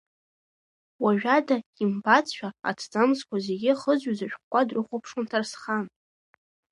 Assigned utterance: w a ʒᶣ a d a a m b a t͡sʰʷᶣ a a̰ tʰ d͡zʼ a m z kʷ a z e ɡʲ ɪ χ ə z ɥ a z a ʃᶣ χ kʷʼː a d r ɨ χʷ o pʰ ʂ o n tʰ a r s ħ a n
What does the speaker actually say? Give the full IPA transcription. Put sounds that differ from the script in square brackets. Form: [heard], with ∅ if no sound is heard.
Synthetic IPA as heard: w a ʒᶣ a d a [i] m b a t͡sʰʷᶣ a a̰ tʰ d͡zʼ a m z kʷ a z e ɡʲ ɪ χ ə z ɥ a z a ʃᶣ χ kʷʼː a d r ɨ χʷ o pʰ ʂ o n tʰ a r s [χ] a n

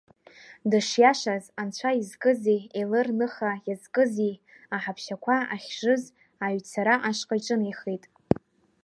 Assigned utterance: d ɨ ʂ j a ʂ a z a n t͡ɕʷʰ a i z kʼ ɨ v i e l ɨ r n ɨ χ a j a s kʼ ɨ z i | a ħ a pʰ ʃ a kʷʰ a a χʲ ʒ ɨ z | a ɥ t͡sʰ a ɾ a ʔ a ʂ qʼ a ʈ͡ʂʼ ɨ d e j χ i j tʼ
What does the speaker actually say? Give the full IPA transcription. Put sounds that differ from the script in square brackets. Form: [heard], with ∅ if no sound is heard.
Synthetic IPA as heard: d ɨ ʂ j a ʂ a z a n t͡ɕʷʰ a i z kʼ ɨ [z] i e l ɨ r n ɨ χ a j a [z] kʼ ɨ z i | a ħ a pʰ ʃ a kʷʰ a a χʲ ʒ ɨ z | a ɥ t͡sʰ a ɾ a ʔ a ʂ qʼ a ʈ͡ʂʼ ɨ [n] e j χ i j tʼ

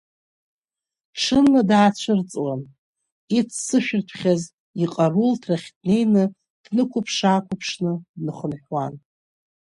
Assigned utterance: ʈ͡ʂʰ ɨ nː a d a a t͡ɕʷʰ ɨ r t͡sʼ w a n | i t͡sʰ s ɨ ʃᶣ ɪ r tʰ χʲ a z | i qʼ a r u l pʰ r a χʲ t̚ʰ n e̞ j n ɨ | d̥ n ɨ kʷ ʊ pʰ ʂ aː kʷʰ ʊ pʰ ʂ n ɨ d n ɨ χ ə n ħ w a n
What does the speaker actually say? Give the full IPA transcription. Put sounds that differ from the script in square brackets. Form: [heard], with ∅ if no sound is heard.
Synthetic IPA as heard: ʈ͡ʂʰ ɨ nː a d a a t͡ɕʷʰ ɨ r t͡sʼ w a n | i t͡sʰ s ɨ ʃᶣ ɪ r tʰ χʲ a z | i qʼ a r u l [tʰ] r a χʲ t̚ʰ n e̞ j n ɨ | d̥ n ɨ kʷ ʊ pʰ ʂ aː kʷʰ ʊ pʰ ʂ n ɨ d n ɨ χ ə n ħ w a n

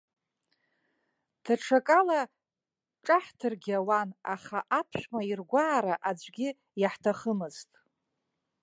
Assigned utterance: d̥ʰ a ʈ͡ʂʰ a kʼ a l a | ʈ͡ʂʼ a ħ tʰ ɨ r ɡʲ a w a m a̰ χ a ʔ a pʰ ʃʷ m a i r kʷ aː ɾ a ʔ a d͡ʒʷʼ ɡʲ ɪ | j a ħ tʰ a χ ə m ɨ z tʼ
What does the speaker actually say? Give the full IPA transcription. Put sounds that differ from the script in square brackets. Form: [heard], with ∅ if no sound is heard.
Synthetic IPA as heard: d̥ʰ a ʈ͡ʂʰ a kʼ a l a | ʈ͡ʂʼ a ħ tʰ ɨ r ɡʲ a w a [n] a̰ χ a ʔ a pʰ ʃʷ m a i r [ɡʷ] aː ɾ a ʔ a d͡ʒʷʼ ɡʲ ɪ | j a ħ tʰ a χ ə m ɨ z tʼ

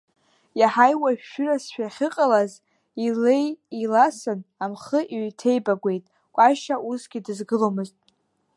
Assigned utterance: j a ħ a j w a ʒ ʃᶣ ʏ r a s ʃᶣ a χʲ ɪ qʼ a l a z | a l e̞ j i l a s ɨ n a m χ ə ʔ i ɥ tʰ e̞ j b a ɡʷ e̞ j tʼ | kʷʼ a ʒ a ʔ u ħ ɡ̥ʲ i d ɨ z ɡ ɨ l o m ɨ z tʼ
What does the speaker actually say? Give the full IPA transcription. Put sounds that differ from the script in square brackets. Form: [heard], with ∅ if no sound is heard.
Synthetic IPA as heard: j a ħ a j w a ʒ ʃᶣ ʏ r a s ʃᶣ a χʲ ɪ qʼ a l a z | [i] l e̞ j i l a s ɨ n a m χ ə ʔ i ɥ tʰ e̞ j b a ɡʷ e̞ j tʼ | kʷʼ a [ʃ] a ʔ u [s] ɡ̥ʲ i d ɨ z ɡ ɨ l o m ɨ z tʼ

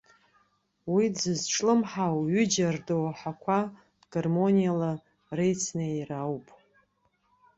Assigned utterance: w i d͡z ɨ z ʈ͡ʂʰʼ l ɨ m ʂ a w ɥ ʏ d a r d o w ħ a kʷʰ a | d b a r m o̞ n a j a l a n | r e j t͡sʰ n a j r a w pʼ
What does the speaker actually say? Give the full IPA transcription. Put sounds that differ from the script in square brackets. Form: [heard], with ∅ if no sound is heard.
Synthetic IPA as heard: w i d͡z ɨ z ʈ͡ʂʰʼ l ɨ m [ħ] a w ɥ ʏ [d͡ʒ] a r d o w ħ a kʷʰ a | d [ɡ] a r m o̞ n [i] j a l a [∅] | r e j t͡sʰ n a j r a w pʼ

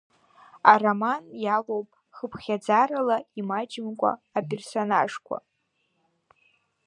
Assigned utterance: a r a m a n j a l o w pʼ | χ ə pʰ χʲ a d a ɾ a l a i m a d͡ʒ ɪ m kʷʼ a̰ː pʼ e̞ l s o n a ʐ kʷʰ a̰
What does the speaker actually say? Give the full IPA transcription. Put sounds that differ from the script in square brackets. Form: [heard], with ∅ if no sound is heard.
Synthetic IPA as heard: a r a m a n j a l o w pʼ | χ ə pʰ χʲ a [d͡z] a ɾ a l a i m a d͡ʒ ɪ m kʷʼ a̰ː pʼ e̞ [r] s o n a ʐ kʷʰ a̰

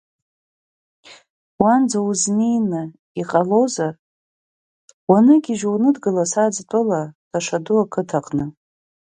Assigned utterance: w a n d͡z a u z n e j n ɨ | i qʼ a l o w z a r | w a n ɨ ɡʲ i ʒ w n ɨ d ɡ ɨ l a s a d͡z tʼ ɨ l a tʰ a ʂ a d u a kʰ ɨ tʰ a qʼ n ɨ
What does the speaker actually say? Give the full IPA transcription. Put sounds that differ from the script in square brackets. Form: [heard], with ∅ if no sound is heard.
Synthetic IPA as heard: w a n d͡z a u z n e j n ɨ | i qʼ a l o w z a r | w a n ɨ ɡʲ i ʒ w n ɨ d ɡ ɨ l a s a d͡z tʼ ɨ l a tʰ a ʂ a d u a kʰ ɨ tʰ a qʼ n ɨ

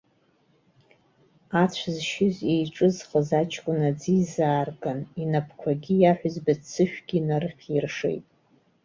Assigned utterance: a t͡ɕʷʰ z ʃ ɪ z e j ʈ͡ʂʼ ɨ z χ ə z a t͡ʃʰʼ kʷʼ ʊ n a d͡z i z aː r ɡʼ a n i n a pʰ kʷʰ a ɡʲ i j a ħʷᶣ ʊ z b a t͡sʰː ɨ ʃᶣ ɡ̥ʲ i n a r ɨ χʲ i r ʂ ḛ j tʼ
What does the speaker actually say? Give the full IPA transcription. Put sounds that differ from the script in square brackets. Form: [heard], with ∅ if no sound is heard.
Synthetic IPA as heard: a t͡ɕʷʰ z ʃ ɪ z e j ʈ͡ʂʼ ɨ z χ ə z a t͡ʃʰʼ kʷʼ ʊ n a d͡z i z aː r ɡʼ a n i n a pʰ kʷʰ a ɡʲ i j a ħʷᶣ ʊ z b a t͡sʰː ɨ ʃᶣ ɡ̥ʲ i n a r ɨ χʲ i r ʂ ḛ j tʼ

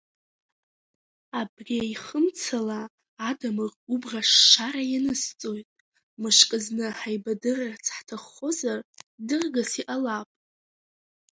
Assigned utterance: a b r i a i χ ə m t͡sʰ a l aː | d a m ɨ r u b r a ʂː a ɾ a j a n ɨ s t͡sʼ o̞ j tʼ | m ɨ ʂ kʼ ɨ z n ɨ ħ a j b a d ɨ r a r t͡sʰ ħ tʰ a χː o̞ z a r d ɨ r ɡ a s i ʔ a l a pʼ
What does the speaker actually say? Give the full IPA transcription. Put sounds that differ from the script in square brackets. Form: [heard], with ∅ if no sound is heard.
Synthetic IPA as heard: a b r i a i χ ə m t͡sʰ a l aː | d a m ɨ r u b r a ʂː a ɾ a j a n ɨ s t͡sʼ o̞ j tʼ | m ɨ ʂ kʼ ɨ z n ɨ ħ a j b a d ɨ r a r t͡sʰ ħ tʰ a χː o̞ z a r d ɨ r ɡ a s i ʔ a l a pʼ

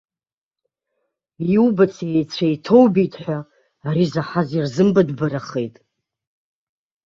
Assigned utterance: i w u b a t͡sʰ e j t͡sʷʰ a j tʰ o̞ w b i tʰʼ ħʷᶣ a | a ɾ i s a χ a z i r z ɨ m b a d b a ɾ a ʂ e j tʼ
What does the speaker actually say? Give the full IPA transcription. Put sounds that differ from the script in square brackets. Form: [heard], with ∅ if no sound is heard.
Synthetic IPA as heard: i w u b a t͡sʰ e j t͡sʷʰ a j tʰ o̞ w b i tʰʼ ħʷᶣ a | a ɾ i [z] a [ħ] a z i r z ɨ m b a d b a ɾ a [χ] e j tʼ

